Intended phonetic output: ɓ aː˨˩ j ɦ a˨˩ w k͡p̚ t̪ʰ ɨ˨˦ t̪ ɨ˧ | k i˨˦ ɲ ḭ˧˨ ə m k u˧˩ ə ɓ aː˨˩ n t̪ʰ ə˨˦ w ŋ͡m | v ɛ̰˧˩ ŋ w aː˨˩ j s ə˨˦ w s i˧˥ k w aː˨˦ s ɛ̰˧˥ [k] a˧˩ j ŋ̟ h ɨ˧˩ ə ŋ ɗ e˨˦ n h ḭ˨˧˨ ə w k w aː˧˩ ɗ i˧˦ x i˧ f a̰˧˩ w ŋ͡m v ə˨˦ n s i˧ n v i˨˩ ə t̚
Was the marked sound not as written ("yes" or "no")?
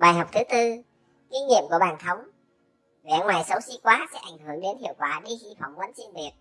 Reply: yes